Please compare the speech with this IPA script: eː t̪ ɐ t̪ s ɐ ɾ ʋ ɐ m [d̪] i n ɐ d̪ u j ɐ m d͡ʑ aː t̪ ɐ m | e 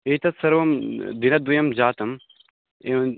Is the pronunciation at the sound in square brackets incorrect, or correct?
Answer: correct